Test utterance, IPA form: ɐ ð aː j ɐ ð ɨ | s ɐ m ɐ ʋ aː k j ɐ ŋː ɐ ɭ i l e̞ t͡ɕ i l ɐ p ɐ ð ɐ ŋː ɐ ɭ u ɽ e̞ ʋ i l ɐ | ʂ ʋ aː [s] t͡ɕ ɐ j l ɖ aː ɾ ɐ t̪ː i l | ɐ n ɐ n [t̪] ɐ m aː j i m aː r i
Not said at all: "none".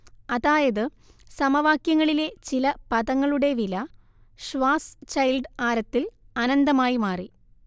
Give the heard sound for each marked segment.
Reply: s, d̪

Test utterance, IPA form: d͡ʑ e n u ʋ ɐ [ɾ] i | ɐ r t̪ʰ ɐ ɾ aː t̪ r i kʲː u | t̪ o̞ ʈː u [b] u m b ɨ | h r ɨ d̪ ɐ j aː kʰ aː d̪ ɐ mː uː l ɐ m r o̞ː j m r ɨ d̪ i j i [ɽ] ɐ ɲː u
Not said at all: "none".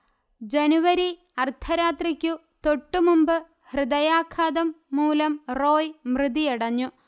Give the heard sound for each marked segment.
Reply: ɾ, m, ɽ

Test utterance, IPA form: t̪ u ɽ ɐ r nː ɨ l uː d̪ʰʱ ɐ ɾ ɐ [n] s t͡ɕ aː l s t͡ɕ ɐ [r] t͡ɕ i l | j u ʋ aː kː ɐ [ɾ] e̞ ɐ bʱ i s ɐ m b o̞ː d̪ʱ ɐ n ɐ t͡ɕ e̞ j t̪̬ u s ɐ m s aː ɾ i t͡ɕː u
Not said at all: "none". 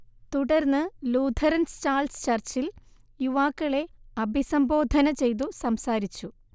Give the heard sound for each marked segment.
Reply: n, r, ɭ

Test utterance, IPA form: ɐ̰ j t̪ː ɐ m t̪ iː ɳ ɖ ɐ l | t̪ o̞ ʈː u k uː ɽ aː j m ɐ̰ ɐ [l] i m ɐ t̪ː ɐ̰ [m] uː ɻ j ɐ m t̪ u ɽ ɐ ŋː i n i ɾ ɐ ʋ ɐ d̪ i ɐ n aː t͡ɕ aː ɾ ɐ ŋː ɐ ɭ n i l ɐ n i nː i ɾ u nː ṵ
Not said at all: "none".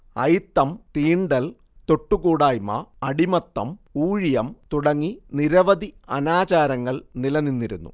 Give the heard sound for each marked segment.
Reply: ɽ, m

